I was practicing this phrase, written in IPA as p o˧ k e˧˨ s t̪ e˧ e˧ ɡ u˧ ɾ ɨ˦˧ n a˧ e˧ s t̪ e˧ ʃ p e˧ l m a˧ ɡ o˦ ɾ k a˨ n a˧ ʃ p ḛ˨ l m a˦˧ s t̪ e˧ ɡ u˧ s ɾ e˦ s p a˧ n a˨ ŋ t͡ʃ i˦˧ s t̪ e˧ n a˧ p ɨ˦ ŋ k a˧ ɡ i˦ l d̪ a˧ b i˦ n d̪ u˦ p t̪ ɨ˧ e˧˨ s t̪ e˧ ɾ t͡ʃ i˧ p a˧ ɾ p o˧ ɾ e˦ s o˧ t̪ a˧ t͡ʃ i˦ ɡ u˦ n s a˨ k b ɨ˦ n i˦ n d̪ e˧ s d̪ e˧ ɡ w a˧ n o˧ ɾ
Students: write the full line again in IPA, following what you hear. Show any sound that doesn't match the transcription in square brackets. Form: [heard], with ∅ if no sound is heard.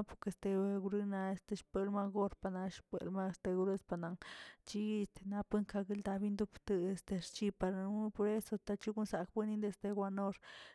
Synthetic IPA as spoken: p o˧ k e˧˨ s t̪ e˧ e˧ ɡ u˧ ɾ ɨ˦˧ n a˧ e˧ s t̪ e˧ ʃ p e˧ l m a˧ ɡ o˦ ɾ [p] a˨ n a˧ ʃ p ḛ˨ l m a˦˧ s t̪ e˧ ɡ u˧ [∅] ɾ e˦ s p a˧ n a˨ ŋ t͡ʃ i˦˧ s t̪ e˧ n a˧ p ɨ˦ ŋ k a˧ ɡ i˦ l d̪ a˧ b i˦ n d̪ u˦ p t̪ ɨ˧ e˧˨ s t̪ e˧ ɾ t͡ʃ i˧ p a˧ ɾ p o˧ ɾ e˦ s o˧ t̪ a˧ t͡ʃ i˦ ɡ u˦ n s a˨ k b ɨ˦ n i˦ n d̪ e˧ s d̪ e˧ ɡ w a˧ n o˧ ɾ